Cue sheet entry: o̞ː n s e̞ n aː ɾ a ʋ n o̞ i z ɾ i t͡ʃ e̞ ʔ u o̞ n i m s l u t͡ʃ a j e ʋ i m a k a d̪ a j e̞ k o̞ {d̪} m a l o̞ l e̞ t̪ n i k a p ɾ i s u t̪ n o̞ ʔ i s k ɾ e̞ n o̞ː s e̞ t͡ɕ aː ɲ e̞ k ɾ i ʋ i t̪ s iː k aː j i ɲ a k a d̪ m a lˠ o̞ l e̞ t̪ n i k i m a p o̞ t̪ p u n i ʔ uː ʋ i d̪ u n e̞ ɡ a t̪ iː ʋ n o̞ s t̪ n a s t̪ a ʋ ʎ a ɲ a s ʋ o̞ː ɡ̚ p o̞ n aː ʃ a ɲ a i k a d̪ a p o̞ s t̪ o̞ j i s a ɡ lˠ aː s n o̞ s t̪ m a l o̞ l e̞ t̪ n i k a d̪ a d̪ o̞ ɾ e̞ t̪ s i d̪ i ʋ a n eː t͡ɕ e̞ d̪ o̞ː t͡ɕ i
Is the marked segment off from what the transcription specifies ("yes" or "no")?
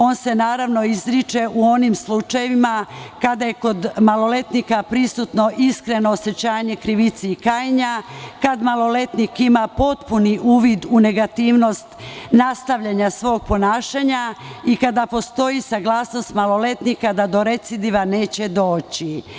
no